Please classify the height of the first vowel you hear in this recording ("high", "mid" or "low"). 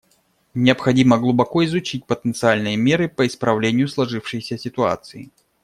high